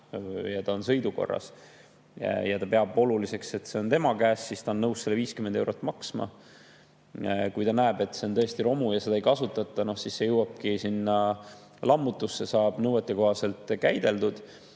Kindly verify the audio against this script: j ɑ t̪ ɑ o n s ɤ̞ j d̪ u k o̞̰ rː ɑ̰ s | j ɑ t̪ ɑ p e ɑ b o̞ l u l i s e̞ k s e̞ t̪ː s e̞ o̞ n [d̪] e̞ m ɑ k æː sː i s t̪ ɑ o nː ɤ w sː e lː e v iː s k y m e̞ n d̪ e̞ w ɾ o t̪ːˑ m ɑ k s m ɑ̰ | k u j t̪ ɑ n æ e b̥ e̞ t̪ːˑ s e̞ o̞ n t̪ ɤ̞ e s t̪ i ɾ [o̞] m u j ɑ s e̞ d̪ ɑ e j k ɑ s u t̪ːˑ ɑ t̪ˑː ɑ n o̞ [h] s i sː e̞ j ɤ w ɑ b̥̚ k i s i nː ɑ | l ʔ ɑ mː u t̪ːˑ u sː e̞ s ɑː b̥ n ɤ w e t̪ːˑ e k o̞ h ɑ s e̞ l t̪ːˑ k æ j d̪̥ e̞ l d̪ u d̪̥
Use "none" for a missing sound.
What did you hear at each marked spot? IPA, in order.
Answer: t̪, o̞, h

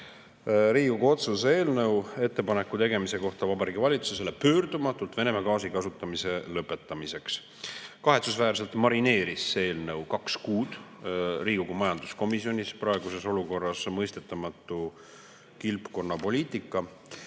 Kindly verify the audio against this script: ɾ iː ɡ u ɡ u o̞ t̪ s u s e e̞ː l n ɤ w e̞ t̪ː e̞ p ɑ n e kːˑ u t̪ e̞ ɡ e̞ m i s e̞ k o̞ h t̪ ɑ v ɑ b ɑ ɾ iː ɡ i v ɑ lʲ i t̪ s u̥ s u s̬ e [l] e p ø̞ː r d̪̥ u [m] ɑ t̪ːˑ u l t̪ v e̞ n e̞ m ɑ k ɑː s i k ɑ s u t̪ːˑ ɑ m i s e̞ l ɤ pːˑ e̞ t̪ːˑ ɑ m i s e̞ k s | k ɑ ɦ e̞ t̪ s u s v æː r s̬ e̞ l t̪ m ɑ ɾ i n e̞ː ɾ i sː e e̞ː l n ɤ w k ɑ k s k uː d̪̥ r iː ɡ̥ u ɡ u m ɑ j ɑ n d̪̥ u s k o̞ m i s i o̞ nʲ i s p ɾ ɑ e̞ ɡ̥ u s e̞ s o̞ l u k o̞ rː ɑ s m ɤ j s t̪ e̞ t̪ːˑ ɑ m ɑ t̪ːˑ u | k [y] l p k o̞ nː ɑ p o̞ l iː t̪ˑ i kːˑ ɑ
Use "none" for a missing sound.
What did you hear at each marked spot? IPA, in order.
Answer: l, m, i

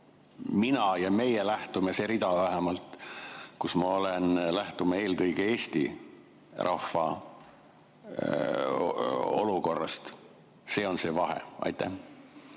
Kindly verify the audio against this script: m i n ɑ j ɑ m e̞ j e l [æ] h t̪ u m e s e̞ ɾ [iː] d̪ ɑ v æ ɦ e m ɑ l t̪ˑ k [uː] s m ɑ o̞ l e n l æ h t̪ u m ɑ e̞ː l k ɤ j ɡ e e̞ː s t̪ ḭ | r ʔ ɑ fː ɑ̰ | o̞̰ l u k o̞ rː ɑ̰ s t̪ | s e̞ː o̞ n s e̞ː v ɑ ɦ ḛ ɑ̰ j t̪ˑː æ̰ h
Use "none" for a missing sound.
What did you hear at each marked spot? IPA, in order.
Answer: æ, i, u

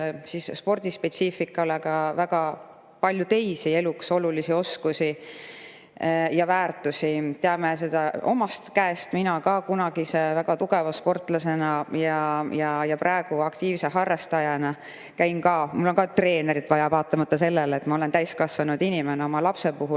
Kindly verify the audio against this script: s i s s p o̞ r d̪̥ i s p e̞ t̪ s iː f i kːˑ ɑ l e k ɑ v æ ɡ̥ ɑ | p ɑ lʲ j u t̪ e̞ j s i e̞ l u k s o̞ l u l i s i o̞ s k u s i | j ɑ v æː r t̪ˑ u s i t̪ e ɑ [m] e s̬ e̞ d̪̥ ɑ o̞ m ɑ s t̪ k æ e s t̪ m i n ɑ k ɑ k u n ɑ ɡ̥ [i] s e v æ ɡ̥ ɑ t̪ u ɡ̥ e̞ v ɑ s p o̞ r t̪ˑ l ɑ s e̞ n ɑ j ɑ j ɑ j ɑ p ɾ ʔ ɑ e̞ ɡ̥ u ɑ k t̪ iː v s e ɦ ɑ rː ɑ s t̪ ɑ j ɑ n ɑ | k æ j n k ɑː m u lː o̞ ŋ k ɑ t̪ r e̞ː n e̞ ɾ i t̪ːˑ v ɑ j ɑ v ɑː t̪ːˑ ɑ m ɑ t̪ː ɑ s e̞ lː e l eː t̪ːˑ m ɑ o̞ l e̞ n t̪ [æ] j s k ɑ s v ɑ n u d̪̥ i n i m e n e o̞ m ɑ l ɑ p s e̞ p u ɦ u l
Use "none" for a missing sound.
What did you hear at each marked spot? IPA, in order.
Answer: m, i, æ

